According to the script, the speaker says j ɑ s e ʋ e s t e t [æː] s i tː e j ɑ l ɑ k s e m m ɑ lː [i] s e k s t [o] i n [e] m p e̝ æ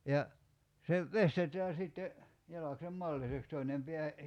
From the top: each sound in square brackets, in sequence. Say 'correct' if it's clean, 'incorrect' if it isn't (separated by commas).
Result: correct, correct, correct, correct